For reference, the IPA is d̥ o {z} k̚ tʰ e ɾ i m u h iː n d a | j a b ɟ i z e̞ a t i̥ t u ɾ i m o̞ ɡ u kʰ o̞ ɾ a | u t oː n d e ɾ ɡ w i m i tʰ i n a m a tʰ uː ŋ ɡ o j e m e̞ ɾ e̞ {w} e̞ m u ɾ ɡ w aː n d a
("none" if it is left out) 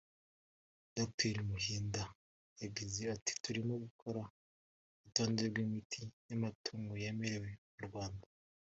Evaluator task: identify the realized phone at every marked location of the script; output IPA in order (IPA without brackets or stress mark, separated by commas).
none, w